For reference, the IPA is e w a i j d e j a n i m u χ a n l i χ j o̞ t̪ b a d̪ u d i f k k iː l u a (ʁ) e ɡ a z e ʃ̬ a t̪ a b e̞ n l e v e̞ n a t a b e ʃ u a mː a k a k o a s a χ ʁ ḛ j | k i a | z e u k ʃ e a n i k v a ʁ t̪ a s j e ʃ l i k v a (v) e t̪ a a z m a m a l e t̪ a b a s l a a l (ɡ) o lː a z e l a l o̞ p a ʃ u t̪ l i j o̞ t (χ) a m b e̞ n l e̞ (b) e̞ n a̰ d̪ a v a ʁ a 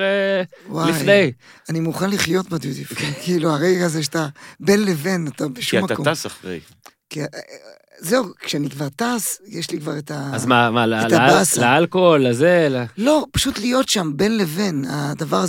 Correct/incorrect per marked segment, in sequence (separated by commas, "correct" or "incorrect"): correct, incorrect, incorrect, incorrect, incorrect